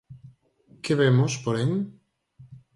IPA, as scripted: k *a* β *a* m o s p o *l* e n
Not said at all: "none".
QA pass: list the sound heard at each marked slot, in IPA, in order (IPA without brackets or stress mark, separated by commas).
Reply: e, e, ɾ